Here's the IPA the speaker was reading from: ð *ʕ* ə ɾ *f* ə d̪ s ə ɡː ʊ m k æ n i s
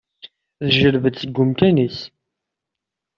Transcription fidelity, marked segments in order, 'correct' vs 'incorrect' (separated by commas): incorrect, incorrect